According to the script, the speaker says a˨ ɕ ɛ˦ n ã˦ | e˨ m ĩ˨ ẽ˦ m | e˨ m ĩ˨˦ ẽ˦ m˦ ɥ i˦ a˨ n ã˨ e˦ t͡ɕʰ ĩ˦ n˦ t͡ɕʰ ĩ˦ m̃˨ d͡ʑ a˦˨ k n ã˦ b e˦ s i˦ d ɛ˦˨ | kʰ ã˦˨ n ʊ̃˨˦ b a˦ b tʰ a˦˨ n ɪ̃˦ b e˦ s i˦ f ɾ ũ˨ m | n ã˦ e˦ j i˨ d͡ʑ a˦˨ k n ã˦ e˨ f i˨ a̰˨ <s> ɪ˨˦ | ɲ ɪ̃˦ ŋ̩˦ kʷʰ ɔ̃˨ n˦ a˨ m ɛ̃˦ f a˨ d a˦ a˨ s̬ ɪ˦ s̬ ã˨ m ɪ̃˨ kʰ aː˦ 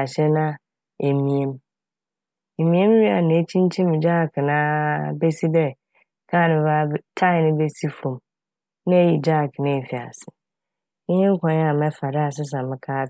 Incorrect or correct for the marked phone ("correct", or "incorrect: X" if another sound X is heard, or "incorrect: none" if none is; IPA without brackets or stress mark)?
correct